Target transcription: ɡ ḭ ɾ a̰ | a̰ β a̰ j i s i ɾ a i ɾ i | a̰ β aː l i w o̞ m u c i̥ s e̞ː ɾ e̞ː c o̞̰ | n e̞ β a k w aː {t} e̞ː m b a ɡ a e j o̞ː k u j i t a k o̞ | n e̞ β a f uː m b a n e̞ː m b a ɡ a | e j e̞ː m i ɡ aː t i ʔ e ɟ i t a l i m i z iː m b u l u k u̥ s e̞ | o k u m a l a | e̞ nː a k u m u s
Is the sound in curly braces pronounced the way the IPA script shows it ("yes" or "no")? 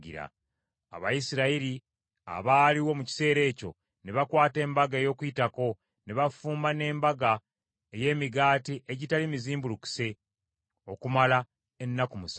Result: yes